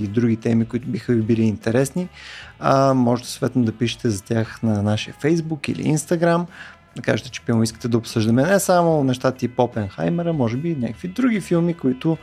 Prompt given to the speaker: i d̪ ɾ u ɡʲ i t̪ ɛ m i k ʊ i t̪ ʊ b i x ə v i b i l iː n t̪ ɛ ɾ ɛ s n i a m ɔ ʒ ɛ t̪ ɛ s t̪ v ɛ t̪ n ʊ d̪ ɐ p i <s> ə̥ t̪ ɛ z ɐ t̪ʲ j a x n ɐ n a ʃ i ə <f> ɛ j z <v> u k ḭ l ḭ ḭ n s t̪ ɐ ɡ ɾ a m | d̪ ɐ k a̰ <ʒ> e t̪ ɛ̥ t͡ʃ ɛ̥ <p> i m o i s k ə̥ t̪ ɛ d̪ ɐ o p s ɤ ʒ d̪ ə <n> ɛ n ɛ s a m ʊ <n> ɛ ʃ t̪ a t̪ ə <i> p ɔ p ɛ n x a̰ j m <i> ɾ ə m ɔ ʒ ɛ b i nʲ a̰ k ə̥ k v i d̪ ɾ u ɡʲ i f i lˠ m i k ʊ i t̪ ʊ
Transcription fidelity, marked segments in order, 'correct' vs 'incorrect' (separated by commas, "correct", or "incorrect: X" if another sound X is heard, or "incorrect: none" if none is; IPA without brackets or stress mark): incorrect: ʃ, correct, incorrect: b, correct, correct, incorrect: m, correct, correct, incorrect: ɛ